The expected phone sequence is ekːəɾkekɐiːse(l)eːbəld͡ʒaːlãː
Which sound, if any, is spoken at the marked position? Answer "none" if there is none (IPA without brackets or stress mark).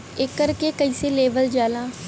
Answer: l